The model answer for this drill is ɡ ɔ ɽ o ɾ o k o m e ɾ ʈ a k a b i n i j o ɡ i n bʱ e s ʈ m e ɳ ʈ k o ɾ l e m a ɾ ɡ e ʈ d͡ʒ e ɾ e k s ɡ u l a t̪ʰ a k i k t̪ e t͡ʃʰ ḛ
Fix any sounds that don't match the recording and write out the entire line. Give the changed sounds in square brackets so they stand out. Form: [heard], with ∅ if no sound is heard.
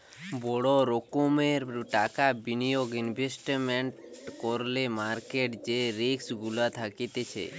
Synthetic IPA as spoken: [b] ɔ ɽ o ɾ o k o m e ɾ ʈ a k a b i n i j o ɡ i n bʱ e s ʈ m e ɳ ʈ k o ɾ l e m a ɾ [k] e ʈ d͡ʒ e ɾ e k s ɡ u l a t̪ʰ a k i [∅] t̪ e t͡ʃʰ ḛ

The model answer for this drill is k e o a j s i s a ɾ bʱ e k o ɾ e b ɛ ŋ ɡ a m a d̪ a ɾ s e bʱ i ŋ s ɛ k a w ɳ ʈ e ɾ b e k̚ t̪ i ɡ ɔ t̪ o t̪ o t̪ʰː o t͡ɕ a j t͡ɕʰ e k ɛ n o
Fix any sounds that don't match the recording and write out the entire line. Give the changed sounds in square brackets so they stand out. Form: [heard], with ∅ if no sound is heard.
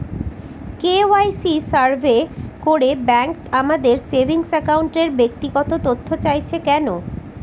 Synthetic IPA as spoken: k e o a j s i s a ɾ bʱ e k o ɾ e b ɛ ŋ [k] a m a d̪ [e] ɾ s e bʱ i ŋ s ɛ k a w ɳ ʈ e ɾ b e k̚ t̪ i ɡ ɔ t̪ o t̪ o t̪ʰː o t͡ɕ a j t͡ɕʰ e k ɛ n o

